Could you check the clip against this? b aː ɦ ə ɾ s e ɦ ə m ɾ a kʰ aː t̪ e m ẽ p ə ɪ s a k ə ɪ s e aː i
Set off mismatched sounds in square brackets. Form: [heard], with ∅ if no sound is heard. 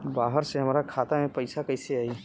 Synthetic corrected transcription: b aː ɦ ə ɾ s e ɦ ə m ɾ a kʰ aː t̪ [a] m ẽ p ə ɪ s a k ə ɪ s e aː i